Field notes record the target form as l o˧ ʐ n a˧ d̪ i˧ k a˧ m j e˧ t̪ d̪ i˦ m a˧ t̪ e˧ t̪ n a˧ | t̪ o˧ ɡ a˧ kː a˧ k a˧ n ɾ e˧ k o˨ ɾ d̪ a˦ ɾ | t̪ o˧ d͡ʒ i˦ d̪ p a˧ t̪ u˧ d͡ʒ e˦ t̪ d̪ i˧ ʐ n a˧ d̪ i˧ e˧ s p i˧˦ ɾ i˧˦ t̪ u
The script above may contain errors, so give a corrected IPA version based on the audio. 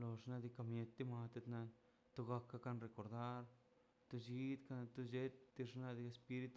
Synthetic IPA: l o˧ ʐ n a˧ d̪ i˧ k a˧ m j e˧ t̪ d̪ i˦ m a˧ t̪ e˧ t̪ n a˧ | t̪ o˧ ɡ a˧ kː a˧ k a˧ n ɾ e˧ k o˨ ɾ d̪ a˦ ɾ | t̪ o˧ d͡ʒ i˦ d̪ k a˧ t̪ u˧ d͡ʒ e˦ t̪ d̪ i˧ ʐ n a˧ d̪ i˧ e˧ s p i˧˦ ɾ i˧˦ t̪ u